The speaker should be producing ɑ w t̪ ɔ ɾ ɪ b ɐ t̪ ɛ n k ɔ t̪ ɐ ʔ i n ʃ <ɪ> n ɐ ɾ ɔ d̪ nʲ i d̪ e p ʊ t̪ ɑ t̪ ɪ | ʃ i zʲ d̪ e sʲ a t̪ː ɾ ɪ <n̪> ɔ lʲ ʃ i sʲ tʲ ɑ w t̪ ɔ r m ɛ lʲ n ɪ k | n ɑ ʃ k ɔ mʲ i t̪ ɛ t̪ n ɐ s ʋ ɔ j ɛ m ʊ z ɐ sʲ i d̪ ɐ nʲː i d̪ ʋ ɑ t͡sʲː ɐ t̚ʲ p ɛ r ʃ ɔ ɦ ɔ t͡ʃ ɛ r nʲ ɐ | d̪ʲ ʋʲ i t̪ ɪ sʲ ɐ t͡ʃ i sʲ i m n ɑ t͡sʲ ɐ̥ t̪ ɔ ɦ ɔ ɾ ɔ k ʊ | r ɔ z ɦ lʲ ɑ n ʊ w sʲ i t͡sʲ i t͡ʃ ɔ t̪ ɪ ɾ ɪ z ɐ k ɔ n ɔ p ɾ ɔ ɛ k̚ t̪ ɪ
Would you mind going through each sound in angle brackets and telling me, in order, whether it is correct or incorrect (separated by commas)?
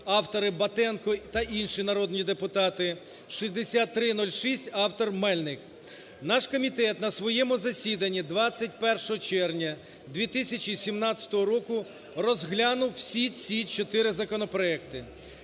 incorrect, correct